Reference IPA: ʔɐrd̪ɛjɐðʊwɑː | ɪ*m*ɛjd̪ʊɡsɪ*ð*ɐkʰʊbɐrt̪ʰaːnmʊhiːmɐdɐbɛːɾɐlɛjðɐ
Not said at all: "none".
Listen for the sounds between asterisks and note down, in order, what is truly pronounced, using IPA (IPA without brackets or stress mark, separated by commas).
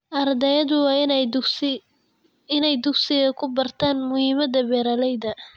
n, ɣ